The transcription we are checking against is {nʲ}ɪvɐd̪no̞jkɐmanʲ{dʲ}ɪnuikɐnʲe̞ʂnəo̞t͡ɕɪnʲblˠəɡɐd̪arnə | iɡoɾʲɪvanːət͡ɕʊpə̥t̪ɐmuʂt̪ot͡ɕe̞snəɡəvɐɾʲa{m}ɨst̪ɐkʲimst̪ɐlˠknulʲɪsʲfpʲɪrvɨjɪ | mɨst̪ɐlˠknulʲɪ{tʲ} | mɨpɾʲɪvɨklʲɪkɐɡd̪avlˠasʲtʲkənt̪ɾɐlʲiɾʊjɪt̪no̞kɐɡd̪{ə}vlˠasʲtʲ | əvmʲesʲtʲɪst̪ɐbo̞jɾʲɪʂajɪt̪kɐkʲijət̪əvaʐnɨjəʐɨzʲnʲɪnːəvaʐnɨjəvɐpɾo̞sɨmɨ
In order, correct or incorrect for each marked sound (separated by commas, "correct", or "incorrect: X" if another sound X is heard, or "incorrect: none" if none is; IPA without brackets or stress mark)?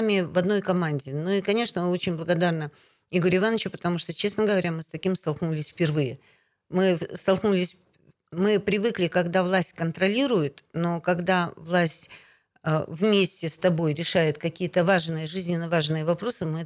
incorrect: mʲ, correct, correct, incorrect: sʲ, incorrect: a